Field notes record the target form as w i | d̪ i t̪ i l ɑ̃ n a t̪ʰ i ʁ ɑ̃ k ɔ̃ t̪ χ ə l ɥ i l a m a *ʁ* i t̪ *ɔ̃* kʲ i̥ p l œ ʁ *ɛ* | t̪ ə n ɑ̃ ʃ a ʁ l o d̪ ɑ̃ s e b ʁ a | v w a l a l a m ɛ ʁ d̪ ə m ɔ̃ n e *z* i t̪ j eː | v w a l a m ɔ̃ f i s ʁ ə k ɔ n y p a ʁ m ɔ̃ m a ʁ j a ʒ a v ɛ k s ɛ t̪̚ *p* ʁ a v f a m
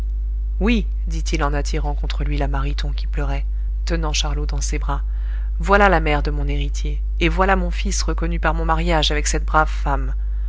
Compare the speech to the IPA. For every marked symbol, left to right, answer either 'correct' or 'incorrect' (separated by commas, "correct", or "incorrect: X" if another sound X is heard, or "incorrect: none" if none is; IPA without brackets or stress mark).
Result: correct, correct, correct, incorrect: ʁ, incorrect: b